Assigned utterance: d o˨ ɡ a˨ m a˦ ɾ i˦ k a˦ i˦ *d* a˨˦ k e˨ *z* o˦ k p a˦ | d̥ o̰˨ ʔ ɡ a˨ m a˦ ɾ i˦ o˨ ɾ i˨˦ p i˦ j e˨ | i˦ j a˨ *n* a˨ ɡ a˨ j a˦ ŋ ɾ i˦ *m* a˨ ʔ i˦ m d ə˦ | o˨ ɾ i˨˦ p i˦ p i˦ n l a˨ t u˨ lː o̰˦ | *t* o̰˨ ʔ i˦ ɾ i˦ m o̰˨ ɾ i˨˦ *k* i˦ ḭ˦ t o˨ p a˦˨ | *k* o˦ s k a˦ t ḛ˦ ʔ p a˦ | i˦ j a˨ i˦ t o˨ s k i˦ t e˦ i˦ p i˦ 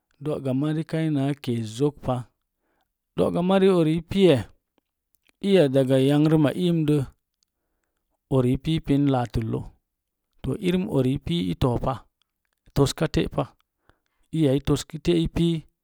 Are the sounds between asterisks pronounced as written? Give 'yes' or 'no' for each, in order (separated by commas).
no, yes, no, yes, yes, no, no